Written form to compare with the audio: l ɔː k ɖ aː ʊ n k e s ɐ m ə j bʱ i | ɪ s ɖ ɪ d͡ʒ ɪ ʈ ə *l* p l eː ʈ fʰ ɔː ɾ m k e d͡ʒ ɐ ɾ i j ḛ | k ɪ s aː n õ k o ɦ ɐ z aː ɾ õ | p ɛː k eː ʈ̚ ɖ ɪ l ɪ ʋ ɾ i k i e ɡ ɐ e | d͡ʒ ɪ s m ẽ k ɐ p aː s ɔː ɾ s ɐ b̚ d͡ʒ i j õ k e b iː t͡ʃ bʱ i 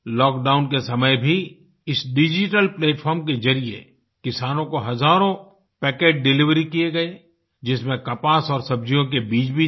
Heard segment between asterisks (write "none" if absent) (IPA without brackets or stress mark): l